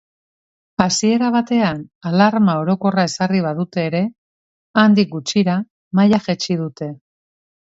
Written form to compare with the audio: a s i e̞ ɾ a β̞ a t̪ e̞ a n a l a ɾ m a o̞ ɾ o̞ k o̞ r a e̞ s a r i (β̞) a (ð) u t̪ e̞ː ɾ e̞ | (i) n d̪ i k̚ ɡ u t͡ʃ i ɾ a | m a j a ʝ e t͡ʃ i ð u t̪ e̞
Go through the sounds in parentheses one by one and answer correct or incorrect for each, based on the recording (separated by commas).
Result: correct, correct, incorrect